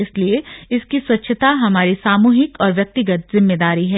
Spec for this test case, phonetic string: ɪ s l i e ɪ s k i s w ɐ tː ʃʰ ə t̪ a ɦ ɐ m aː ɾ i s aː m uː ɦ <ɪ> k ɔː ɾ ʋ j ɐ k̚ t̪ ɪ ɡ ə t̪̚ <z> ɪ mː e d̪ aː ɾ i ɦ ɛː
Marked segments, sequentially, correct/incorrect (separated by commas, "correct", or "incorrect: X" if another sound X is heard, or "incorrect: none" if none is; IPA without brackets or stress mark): correct, correct